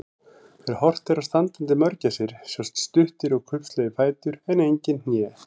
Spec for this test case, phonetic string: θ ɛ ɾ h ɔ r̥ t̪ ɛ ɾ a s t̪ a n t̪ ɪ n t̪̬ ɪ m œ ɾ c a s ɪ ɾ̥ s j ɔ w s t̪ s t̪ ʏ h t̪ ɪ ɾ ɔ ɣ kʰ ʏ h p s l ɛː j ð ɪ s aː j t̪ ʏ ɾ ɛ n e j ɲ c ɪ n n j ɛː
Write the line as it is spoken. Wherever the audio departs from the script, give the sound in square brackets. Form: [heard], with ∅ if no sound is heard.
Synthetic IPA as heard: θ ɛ ɾ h ɔ r̥ t̪ ɛ ɾ a s t̪ a n t̪ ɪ n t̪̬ ɪ m œ ɾ c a s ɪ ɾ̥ s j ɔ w s t̪ s t̪ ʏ h t̪ ɪ ɾ ɔ ɣ kʰ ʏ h p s l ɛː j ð ɪ [f] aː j t̪ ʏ ɾ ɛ n e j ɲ c ɪ n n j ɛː